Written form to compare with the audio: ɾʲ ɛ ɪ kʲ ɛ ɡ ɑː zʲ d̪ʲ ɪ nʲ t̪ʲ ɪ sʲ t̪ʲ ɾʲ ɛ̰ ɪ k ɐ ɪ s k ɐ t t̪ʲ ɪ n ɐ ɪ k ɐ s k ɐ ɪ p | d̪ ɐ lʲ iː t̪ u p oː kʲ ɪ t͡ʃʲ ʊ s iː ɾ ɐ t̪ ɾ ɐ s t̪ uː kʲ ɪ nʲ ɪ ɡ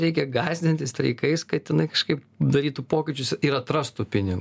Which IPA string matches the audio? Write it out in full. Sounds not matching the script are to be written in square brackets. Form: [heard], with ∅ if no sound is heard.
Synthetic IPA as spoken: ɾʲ ɛ ɪ kʲ ɛ ɡ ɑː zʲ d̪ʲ ɪ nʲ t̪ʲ ɪ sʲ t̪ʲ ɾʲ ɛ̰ ɪ k ɐ ɪ s k ɐ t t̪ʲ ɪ n ɐ ɪ k ɐ [ʃ] k ɐ ɪ p | d̪ ɐ [ɾʲ] iː t̪ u p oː kʲ ɪ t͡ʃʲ ʊ s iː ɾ ɐ t̪ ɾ ɐ s t̪ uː [pʲ] ɪ nʲ ɪ ɡ